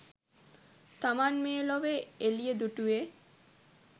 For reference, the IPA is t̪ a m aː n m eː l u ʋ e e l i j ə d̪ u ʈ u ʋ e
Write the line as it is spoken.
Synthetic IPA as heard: t̪ a m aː n m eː l o ʋ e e l i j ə d̪ u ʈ u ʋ e